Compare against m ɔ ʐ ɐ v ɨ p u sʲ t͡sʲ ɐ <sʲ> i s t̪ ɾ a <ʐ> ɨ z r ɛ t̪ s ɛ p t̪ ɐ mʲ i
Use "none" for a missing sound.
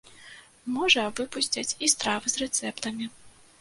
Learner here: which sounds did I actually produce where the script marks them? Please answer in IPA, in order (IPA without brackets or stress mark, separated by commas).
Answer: t͡sʲ, v